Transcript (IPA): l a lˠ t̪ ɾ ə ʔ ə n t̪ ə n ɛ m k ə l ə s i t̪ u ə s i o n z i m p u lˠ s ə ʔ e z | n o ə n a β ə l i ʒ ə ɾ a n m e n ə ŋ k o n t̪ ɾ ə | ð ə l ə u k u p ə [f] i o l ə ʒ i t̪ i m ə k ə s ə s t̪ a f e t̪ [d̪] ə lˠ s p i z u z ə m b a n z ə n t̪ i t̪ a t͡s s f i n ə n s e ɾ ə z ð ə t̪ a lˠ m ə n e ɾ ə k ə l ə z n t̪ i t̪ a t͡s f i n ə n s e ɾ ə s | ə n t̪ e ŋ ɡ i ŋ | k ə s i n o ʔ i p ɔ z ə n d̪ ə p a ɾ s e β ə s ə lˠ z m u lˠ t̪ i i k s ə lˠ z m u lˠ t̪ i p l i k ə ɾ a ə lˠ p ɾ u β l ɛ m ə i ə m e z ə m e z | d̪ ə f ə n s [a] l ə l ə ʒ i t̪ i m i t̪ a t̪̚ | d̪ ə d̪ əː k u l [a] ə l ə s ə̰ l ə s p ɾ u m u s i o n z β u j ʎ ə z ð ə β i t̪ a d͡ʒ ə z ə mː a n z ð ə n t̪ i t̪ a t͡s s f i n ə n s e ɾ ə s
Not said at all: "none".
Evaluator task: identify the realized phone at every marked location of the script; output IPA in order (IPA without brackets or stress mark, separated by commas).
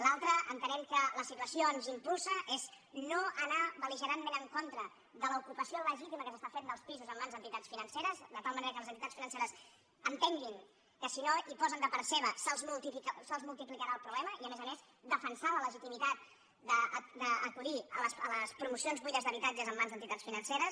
s, d̪, a, i